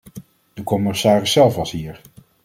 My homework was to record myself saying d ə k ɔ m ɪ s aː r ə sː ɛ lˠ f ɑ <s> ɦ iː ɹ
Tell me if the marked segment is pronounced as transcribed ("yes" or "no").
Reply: yes